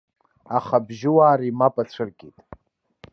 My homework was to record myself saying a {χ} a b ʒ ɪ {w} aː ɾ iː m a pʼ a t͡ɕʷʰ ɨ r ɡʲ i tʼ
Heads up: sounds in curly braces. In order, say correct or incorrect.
correct, correct

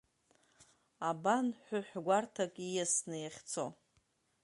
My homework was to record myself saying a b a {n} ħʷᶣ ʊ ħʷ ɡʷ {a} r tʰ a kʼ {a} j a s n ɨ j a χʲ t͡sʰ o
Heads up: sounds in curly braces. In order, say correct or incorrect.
correct, correct, incorrect: i

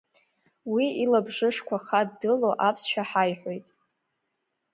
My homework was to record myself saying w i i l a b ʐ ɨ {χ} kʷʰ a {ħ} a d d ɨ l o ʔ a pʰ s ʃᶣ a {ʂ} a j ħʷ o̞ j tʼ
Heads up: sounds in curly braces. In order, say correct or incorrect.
incorrect: ʂ, incorrect: χ, incorrect: ħ

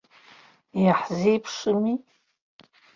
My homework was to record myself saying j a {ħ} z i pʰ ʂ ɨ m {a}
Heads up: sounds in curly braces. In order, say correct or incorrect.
correct, incorrect: i

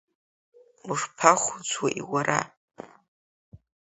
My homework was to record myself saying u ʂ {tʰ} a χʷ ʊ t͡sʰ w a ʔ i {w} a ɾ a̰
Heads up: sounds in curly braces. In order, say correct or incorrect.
incorrect: pʰ, correct

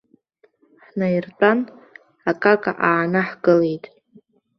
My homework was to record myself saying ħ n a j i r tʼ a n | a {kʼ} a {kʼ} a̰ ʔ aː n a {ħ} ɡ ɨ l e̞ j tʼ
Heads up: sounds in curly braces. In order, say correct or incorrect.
correct, correct, correct

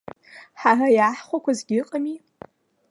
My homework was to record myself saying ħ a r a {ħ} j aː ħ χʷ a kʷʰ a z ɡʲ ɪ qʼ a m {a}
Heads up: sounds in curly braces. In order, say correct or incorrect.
incorrect: none, incorrect: i

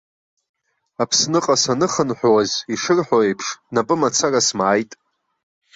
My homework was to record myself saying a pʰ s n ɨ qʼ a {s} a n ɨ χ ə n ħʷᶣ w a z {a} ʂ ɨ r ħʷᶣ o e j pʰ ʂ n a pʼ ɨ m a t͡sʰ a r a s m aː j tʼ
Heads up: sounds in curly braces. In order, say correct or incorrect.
correct, incorrect: i

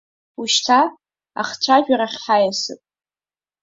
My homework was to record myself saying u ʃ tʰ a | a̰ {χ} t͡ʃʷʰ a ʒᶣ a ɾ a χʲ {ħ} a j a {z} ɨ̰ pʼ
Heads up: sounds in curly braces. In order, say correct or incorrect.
correct, correct, incorrect: s

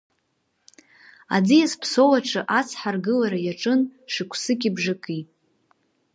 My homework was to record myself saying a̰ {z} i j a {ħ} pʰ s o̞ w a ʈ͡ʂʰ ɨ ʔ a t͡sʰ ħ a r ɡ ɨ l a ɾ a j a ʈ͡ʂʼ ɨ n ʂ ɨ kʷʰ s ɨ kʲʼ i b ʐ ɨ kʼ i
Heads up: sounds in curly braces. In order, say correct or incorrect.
incorrect: d͡z, incorrect: s

